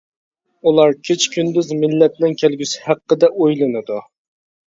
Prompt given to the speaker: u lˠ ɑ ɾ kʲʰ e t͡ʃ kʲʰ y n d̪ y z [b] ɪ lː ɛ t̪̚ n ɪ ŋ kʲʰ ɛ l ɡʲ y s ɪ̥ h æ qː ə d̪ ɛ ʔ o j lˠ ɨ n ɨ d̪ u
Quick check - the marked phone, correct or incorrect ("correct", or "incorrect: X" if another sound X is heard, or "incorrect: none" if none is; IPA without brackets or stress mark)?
incorrect: m